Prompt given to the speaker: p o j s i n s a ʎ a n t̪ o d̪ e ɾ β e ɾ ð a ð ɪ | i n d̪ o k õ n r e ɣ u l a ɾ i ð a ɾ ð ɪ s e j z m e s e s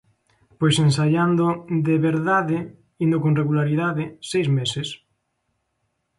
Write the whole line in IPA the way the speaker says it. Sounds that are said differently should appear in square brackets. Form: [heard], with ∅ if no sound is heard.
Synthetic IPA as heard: p o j s [e] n s a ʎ a n [d̪] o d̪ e [∅] β e ɾ ð a ð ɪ | i n d̪ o k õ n r e ɣ u l a ɾ i ð a [∅] ð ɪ s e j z m e s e s

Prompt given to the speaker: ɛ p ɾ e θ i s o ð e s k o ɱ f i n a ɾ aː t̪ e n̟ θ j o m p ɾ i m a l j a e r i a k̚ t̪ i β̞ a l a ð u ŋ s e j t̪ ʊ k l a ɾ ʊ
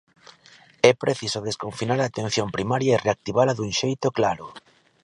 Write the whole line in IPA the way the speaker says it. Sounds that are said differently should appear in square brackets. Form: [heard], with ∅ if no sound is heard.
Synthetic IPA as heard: ɛ p ɾ e θ i s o ð e s k o ɱ f i n a ɾ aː t̪ e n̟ θ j o m p ɾ i m a [ɾ] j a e r [e] a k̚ t̪ i β̞ a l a ð u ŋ [ʃ] e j t̪ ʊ k l a ɾ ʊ

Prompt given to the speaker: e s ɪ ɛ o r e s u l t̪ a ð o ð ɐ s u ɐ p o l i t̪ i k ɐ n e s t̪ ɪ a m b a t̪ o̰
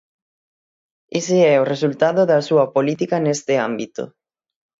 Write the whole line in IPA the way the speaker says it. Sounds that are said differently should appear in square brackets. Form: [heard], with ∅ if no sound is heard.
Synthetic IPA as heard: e s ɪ ɛ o r e s u l t̪ a ð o ð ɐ s u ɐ p o l i t̪ i k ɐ n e s t̪ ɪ a m b [i] t̪ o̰

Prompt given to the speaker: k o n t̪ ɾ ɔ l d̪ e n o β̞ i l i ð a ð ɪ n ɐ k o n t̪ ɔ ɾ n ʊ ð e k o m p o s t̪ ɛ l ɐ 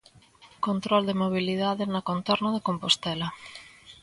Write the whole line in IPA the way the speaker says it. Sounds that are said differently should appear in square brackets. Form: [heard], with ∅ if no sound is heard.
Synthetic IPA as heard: k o n t̪ ɾ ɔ l d̪ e [m] o β̞ i l i ð a ð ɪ n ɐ k o n t̪ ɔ ɾ n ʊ ð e k o m p o s t̪ ɛ l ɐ

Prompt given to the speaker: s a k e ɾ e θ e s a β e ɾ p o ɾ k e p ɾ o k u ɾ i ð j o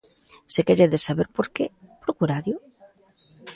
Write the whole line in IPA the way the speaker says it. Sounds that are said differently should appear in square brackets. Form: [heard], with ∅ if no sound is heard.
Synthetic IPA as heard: s [e] k e ɾ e [ð] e s a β e ɾ p o ɾ k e p ɾ o k u ɾ [a] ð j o

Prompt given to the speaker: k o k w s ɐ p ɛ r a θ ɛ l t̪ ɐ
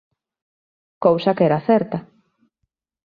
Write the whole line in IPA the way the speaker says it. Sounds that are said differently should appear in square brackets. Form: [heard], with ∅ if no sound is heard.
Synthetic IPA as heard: k o [∅] w s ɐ [k] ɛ [ɾ] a θ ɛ [ɾ] t̪ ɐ

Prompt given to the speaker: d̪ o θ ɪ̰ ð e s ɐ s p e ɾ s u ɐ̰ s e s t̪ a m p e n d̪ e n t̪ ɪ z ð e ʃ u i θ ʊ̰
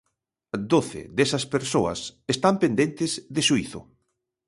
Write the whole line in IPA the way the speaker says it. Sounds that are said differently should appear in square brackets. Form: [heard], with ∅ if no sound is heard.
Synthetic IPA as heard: d̪ o θ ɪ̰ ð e s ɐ s p e ɾ s [o] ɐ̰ s e s t̪ a m p e n d̪ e n t̪ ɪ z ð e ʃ u i θ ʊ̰

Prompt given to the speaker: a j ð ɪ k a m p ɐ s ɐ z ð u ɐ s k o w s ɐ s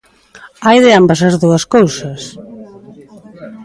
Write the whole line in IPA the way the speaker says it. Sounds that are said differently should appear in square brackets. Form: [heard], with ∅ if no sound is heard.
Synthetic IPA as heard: a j ð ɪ [∅] a m [b] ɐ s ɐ z ð u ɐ s k o w s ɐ s

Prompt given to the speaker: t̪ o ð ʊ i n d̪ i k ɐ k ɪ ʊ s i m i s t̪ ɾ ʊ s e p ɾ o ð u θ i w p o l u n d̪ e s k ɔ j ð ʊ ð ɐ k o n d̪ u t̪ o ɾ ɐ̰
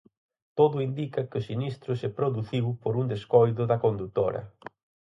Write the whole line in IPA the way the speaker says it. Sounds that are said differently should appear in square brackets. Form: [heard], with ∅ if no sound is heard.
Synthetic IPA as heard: t̪ o ð ʊ i n d̪ i k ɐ k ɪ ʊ s i [n] i s t̪ ɾ ʊ s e p ɾ o ð u θ i w p o [ɾ] u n d̪ e s k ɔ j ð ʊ ð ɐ k o n d̪ u t̪ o ɾ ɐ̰

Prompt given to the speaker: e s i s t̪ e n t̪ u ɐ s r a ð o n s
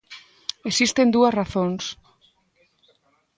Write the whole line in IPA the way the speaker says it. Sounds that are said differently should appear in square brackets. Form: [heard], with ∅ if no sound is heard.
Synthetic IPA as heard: e s i s t̪ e n [d̪] u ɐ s r a [θ] o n s

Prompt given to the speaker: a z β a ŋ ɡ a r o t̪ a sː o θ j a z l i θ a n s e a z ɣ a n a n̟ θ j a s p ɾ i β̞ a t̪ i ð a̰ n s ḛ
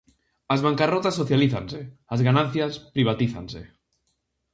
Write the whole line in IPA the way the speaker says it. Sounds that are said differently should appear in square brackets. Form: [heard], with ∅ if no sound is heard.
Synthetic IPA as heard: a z β a ŋ [k] a r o t̪ a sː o θ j a [∅] l i θ a n s e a z ɣ a n a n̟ θ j a s p ɾ i β̞ a t̪ i [θ] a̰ n s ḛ

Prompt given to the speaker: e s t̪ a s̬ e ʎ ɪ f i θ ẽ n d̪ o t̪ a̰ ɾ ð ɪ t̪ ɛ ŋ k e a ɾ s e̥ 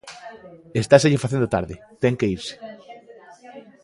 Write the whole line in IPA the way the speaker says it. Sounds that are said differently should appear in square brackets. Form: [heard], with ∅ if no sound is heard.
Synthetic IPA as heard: e s t̪ a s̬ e ʎ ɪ f [a] θ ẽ n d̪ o t̪ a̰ ɾ ð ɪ t̪ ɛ ŋ k e [i] ɾ s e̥

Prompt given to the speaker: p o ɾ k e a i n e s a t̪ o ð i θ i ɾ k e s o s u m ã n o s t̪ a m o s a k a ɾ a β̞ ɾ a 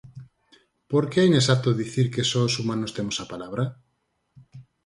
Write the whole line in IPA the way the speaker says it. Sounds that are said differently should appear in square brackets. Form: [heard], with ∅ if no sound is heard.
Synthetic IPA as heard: p o ɾ k e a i n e s a t̪ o ð i θ i ɾ k e s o s u m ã n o s t̪ [e] m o s a [p] a [l] a β̞ ɾ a

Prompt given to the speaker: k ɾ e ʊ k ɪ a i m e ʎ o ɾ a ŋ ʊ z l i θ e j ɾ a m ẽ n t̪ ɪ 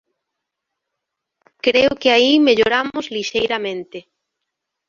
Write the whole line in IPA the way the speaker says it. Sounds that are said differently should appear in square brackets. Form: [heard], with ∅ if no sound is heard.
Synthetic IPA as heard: k ɾ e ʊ k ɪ a i m e ʎ o ɾ a [m] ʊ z l i [ʃ] e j ɾ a m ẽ n t̪ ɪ

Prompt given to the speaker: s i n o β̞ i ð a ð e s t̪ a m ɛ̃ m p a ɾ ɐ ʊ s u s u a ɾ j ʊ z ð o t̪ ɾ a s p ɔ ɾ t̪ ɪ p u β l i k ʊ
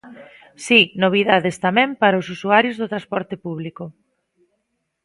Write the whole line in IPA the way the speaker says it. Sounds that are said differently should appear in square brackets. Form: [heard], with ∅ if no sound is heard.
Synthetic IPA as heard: s i n o β̞ i ð a ð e s t̪ a m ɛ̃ m p a ɾ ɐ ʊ s u s u a ɾ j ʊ z ð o t̪ ɾ a s p ɔ ɾ t̪ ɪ p u β l i k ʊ

